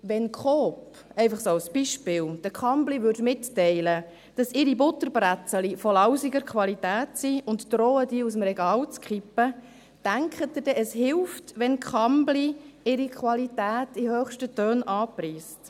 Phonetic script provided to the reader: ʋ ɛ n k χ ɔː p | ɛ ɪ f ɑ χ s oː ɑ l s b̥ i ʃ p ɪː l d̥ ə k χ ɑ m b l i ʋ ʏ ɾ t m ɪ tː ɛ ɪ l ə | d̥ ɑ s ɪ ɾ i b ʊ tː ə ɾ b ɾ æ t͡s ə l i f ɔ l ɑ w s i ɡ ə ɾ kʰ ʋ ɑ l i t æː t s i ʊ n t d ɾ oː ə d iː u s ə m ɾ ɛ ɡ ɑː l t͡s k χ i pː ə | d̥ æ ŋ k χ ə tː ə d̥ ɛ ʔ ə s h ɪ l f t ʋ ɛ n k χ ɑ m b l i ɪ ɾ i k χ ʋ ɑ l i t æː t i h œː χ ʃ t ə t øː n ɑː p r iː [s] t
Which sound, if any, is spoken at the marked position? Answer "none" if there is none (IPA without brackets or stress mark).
s